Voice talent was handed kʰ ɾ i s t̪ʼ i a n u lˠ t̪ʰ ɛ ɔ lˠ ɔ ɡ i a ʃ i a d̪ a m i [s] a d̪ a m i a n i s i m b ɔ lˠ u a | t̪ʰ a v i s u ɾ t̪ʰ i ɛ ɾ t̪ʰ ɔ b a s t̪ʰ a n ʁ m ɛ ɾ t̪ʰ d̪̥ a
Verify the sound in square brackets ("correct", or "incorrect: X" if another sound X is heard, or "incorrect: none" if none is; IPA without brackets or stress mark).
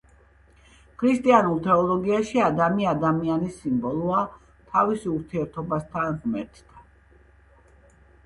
incorrect: none